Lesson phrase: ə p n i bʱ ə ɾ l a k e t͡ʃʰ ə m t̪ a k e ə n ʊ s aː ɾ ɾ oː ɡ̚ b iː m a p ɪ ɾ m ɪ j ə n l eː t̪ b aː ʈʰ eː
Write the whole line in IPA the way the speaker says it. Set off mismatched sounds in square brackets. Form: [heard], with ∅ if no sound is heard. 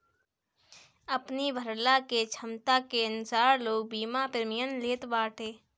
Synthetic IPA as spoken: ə p n i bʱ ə ɾ l a k e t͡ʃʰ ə m t̪ a k e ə n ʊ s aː ɾ [l] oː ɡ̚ b iː m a p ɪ ɾ m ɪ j ə n l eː t̪ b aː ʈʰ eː